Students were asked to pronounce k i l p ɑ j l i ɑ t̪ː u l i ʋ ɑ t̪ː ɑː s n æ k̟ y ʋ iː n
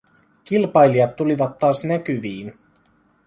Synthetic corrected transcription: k i l p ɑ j l i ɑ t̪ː u l i ʋ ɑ t̪ː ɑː s n æ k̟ y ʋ iː n